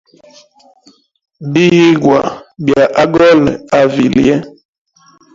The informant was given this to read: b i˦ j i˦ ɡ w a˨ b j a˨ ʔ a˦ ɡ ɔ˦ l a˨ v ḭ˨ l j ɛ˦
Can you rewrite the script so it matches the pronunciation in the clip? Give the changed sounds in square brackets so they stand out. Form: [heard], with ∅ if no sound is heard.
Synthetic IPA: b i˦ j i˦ ɡ w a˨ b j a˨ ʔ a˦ ɡ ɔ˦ l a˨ v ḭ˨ l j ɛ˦